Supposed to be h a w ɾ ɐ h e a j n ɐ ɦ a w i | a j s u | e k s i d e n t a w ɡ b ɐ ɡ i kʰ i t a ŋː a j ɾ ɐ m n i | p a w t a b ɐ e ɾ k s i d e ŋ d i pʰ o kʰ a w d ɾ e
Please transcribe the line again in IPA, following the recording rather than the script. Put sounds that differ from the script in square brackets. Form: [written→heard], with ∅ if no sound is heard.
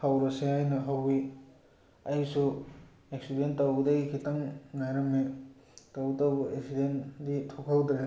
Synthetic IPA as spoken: h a w ɾ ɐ [h→s] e a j n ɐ ɦ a w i | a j s u | e k s i d e n t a w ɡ [b→d] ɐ ɡ i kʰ i t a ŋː a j ɾ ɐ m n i | [p→t] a w t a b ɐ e [ɾ→∅] k s i d e [ŋ→n] d i [pʰ→tʰ] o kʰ a w d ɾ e